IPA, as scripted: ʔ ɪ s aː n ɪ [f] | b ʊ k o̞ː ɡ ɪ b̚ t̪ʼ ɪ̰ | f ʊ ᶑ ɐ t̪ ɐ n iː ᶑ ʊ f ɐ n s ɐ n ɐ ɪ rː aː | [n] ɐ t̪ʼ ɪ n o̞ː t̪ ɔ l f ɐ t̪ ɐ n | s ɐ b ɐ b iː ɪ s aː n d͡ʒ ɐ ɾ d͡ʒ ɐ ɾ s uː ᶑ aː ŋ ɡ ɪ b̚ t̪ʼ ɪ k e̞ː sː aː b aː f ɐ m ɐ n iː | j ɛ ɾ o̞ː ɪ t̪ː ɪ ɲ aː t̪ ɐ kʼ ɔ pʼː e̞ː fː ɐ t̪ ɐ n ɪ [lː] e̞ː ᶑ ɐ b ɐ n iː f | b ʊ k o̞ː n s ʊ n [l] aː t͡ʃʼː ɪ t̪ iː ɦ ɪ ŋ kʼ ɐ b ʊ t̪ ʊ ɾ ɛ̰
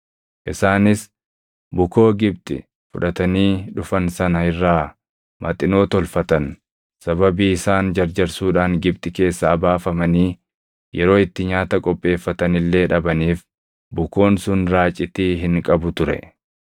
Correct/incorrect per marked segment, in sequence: incorrect: s, incorrect: m, correct, incorrect: ɾ

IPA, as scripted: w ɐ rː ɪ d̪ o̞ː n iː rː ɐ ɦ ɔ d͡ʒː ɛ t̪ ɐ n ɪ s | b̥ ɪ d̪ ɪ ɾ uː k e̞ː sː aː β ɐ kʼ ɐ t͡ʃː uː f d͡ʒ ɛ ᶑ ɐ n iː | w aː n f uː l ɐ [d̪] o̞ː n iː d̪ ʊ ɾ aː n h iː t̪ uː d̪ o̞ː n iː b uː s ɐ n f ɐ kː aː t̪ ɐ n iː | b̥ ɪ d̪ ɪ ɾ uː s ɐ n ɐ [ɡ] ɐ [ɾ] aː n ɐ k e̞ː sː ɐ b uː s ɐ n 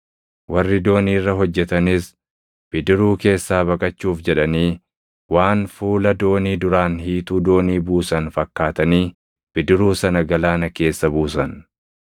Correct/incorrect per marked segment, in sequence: correct, correct, incorrect: l

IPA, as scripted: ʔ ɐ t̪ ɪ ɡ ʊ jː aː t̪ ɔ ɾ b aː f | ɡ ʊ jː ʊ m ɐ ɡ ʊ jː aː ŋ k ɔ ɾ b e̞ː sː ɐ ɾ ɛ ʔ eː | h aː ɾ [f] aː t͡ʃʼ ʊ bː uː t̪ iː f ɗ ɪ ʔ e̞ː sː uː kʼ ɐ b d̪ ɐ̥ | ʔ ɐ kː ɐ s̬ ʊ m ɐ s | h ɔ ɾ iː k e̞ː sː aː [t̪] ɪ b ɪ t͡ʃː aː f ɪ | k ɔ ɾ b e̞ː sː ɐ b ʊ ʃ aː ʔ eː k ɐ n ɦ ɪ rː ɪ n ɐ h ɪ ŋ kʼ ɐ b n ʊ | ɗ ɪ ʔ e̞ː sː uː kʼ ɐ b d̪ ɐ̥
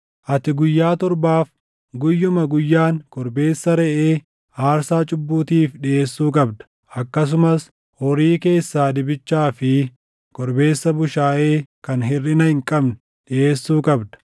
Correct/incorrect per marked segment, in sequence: incorrect: s, incorrect: d̪

